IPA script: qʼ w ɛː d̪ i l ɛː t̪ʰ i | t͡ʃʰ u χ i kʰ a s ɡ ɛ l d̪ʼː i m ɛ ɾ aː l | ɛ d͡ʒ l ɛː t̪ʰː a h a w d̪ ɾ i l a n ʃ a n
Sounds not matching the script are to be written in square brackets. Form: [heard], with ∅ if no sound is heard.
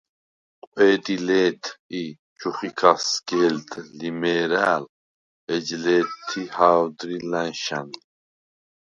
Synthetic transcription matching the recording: qʼ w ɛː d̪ i l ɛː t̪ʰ i | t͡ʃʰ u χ i kʰ a s ɡ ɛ l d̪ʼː i m ɛ ɾ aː l | ɛ d͡ʒ l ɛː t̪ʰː [i] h a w d̪ ɾ i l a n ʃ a n